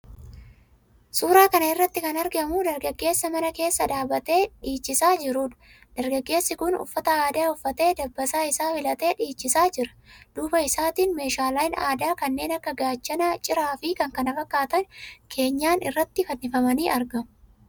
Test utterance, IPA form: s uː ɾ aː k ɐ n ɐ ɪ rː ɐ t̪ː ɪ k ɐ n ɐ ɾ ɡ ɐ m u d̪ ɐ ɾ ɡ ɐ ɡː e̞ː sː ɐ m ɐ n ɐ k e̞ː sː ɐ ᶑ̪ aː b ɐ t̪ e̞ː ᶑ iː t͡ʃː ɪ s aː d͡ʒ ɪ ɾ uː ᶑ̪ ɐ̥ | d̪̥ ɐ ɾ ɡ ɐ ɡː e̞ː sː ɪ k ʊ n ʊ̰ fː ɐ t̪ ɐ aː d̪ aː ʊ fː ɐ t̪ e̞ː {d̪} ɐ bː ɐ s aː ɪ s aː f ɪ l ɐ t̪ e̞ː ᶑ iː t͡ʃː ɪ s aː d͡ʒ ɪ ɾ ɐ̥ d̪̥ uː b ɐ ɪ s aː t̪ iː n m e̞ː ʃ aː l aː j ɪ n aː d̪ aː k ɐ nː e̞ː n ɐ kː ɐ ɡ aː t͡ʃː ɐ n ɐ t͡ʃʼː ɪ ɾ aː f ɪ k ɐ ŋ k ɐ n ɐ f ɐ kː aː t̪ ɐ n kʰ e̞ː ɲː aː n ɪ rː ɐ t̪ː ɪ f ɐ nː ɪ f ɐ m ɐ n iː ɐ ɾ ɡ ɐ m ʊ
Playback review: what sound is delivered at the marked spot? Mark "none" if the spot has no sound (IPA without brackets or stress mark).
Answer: d̪